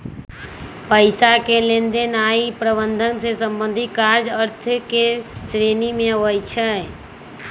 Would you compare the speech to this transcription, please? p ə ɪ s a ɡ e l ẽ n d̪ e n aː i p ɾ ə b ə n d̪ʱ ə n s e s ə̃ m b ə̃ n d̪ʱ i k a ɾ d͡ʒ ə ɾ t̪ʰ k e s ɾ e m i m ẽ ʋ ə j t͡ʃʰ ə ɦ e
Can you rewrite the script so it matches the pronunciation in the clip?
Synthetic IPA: p ə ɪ s a k e l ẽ n d̪ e n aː i p ɾ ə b ə n d̪ʱ ə n s e s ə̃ m b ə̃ n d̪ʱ i k a ɾ d͡ʒ ə ɾ t̪ʰ k e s ɾ e n i m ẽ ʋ ə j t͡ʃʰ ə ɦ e